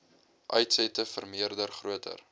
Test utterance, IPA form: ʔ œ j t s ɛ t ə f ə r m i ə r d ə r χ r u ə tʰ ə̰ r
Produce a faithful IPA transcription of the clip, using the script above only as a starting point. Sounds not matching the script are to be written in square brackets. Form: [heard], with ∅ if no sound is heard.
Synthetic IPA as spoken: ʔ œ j t s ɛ t ə f ə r m i ə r d ə r χ r u ə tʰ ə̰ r